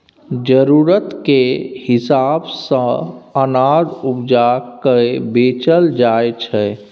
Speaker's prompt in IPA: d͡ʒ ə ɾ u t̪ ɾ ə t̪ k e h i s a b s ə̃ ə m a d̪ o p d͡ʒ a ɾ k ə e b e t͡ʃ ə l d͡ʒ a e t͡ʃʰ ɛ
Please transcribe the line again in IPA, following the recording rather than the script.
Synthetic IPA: d͡ʒ ə ɾ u ɾ ə t̪ k e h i s a b s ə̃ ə n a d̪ u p d͡ʒ a k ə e b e t͡ʃ ə l d͡ʒ a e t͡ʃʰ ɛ